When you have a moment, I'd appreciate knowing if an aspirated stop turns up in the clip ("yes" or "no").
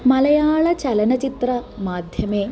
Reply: no